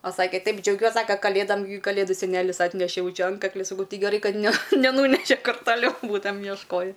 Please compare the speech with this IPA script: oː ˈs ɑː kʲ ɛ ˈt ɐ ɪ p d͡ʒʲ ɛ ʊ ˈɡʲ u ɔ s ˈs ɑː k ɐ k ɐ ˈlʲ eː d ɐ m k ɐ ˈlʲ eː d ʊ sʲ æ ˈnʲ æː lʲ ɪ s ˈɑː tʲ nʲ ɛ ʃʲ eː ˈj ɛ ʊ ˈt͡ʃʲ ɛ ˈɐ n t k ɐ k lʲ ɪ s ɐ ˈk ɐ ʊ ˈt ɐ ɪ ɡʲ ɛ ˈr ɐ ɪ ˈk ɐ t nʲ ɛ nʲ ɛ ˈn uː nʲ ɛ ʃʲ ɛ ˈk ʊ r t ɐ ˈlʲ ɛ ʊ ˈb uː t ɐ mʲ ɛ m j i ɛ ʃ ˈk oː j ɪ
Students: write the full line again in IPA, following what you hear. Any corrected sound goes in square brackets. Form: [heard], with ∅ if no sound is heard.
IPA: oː ˈs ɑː kʲ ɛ ˈt ɐ ɪ p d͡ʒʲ ɛ ʊ ˈɡʲ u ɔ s ˈs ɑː k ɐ k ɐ ˈlʲ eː d ɐ m k ɐ ˈlʲ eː d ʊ sʲ [ɛ] ˈnʲ æː lʲ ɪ s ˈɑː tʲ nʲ ɛ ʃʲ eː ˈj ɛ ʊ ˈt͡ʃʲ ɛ ˈɐ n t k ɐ k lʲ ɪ s ɐ ˈk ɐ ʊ ˈt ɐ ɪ ɡʲ ɛ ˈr ɐ ɪ ˈk ɐ t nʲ ɛ nʲ ɛ ˈn uː nʲ ɛ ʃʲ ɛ ˈk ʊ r t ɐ ˈlʲ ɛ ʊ ˈb uː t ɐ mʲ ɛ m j i ɛ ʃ ˈk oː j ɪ